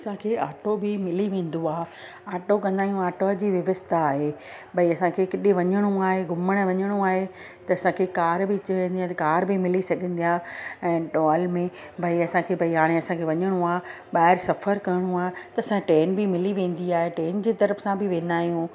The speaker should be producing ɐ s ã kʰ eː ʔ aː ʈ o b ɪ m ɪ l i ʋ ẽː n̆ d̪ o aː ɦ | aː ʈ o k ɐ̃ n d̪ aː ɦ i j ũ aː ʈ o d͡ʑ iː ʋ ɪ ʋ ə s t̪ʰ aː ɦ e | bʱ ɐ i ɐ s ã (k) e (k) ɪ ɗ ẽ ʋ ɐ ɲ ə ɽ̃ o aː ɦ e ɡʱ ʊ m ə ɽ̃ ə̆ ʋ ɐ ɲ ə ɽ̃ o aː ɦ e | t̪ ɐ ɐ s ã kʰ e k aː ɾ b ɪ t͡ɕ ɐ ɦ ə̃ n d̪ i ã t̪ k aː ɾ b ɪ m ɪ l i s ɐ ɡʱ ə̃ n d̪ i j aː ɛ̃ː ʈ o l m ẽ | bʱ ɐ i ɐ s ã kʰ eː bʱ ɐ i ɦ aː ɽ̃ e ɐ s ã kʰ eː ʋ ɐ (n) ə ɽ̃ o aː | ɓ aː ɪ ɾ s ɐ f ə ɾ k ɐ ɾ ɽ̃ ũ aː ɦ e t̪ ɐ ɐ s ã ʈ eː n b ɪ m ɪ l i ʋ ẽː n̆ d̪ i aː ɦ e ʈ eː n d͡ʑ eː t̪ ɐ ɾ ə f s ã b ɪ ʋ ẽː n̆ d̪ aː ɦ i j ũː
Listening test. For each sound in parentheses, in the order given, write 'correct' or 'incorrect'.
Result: incorrect: kʰ, correct, incorrect: ɲ

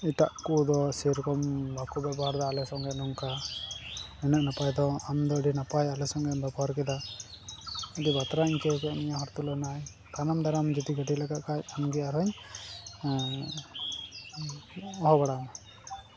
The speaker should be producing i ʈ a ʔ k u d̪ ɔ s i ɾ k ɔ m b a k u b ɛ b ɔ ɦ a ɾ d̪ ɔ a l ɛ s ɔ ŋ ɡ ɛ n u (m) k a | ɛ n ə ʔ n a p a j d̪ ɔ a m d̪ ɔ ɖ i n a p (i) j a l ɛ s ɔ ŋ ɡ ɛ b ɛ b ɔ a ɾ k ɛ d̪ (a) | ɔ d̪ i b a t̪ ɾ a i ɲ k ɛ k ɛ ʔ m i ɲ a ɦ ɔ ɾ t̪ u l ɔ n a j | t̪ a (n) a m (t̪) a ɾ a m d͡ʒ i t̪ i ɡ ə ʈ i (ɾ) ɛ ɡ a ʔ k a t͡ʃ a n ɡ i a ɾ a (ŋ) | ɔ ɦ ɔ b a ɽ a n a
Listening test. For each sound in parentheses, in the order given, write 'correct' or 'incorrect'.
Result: incorrect: ŋ, incorrect: a, correct, correct, incorrect: d̪, incorrect: l, incorrect: ɲ

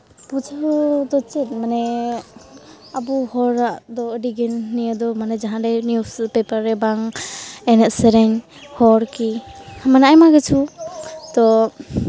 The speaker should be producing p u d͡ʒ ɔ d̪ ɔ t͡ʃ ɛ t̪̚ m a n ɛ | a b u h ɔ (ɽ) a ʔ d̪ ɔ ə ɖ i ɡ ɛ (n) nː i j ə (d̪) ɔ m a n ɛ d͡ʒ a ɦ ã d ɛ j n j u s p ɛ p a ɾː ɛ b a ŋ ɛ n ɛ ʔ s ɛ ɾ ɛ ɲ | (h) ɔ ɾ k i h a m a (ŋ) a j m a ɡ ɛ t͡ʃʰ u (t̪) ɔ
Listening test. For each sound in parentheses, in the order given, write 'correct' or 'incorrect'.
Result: incorrect: ɾ, correct, correct, correct, incorrect: n, correct

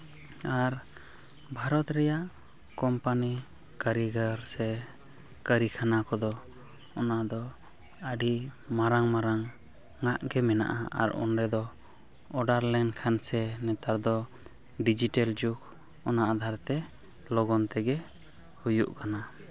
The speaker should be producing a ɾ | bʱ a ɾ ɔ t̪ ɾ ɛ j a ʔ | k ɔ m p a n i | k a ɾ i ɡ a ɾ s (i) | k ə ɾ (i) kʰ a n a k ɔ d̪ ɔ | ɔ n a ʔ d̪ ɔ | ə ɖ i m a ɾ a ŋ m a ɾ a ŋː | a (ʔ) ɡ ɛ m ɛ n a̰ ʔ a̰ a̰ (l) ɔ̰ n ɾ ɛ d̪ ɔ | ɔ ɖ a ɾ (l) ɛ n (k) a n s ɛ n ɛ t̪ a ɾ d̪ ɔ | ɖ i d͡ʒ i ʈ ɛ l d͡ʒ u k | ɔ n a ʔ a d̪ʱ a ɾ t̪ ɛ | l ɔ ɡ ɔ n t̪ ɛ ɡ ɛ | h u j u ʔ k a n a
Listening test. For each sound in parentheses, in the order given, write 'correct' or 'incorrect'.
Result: incorrect: ɛ, correct, correct, incorrect: ɾ, correct, incorrect: kʰ

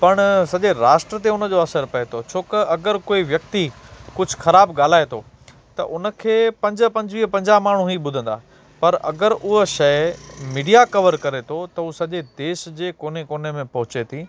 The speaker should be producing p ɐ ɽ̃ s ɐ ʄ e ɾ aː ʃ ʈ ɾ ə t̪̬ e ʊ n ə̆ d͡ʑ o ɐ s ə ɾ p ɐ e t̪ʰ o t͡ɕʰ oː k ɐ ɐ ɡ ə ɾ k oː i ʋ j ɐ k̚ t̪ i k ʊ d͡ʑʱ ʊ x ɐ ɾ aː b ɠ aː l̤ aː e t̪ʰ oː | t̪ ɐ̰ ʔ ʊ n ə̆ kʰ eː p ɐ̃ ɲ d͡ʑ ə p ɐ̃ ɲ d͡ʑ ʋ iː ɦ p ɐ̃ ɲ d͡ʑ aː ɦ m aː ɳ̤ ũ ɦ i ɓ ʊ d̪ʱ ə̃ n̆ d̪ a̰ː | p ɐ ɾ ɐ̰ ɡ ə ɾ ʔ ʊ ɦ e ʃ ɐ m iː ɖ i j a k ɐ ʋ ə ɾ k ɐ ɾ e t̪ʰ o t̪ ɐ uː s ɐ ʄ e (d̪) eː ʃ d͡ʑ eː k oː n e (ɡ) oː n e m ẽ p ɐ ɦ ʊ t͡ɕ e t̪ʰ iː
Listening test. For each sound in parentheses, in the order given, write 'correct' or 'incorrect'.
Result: correct, incorrect: k

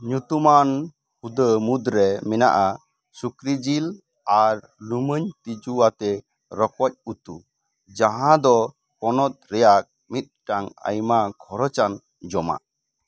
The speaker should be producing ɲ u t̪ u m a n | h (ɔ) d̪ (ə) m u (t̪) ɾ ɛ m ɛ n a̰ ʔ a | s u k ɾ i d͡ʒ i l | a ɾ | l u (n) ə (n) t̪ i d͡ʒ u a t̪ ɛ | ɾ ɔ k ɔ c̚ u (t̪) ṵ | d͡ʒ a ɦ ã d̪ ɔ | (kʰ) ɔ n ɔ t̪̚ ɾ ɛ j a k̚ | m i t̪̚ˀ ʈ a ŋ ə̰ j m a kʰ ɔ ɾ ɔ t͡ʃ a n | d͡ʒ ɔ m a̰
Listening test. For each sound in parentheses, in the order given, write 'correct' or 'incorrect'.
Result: incorrect: u, correct, incorrect: d̪, incorrect: m, incorrect: ɲ, correct, incorrect: k

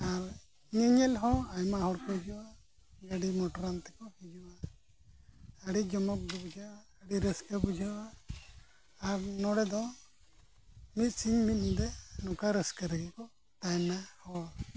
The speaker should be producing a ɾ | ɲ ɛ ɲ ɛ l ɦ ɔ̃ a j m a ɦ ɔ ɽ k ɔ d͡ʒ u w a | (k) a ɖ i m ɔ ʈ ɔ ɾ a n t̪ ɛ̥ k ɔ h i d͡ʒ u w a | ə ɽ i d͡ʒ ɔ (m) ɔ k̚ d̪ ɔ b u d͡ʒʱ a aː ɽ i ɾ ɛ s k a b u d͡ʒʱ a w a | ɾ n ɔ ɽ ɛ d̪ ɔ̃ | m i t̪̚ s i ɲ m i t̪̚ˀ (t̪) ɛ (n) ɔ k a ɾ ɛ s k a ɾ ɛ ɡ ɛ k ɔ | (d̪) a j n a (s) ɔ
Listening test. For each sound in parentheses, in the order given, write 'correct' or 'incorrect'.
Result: incorrect: ɡ, correct, incorrect: d̪, correct, incorrect: t̪, incorrect: h

